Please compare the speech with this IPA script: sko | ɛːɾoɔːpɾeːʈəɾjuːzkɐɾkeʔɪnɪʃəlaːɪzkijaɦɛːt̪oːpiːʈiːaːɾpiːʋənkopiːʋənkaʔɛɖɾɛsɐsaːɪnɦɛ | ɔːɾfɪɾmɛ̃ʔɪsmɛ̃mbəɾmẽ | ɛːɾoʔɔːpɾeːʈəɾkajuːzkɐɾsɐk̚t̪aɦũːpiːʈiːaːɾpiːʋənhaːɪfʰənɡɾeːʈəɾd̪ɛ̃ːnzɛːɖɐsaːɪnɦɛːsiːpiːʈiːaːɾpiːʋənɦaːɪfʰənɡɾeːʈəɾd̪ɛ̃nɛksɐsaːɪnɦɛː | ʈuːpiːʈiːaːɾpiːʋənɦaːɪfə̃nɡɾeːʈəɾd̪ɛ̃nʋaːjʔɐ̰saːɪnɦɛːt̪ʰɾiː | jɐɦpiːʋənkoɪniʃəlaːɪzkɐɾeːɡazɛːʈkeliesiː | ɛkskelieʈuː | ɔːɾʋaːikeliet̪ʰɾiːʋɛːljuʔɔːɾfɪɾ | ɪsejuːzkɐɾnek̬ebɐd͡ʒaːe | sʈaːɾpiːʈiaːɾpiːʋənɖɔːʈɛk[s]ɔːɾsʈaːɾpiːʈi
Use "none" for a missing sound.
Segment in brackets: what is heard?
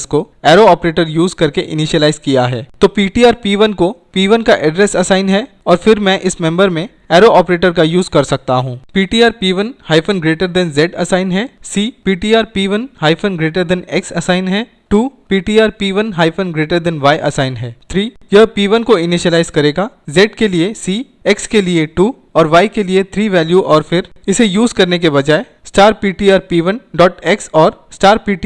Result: s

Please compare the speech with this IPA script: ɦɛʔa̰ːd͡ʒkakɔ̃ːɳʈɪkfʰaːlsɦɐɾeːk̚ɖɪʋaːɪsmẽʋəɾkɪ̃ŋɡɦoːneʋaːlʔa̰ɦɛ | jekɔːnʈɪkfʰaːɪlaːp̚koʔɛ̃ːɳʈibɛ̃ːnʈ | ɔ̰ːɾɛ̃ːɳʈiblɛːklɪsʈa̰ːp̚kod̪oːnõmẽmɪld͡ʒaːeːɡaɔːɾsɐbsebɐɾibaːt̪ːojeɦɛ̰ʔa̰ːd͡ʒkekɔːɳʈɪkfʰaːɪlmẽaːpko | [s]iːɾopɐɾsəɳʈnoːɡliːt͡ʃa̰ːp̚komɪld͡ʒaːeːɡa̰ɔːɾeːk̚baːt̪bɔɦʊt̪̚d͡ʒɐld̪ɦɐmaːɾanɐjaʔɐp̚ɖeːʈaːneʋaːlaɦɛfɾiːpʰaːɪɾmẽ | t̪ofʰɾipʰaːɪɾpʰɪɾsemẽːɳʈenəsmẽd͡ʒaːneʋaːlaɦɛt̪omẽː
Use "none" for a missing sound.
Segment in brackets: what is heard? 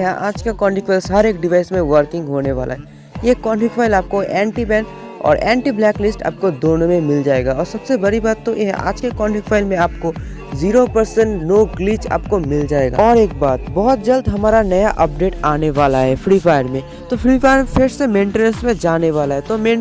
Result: z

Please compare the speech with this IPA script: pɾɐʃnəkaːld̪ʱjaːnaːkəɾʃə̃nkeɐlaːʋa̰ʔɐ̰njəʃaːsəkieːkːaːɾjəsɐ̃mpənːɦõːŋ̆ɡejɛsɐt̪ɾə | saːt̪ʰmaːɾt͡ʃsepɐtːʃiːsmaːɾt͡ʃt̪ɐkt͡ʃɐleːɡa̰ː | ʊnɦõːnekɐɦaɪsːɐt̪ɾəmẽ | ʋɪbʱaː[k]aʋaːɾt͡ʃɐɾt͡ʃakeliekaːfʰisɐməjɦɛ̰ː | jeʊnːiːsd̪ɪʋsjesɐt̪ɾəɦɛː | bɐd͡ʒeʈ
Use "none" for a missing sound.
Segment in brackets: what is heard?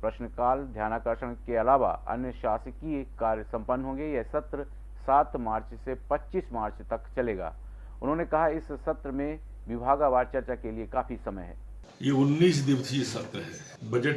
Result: ɡ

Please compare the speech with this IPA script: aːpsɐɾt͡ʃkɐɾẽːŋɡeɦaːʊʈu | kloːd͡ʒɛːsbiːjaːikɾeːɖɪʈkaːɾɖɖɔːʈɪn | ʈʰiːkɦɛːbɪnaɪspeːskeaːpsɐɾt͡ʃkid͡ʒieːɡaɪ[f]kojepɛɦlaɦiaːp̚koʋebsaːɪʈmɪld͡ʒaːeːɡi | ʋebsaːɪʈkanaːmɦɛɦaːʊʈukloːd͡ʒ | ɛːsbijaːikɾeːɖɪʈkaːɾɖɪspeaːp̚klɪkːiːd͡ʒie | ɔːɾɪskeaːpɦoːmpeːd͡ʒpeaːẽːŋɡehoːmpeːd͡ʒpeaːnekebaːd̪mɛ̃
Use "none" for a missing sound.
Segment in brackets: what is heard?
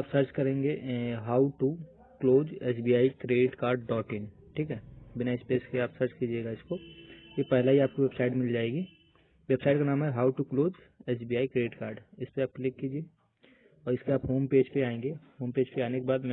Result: s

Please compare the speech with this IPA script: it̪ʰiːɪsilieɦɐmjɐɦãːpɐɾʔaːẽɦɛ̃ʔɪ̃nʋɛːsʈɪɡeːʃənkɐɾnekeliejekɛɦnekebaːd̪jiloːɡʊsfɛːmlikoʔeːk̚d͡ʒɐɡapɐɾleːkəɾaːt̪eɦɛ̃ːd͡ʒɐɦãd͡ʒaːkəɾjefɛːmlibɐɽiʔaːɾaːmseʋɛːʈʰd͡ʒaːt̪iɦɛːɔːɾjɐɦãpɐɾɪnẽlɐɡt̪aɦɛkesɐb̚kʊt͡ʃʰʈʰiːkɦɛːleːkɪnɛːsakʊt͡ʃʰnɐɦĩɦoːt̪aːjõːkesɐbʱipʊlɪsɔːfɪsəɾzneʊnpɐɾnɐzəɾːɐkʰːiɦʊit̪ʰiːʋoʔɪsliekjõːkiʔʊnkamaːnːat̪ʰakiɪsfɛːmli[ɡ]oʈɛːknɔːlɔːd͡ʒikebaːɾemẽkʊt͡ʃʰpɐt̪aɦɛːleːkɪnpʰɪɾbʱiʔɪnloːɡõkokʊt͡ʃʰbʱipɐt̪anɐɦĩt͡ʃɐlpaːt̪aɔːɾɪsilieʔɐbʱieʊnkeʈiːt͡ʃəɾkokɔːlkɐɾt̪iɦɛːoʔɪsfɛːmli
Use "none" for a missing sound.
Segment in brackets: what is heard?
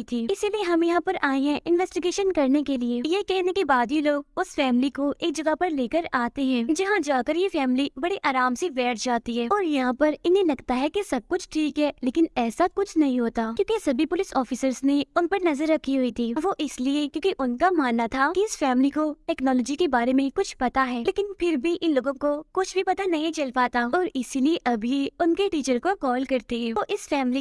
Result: k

